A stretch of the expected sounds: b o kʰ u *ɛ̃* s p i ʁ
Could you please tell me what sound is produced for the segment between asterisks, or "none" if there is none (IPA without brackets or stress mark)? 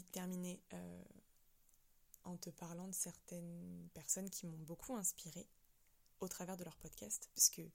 ɛ̃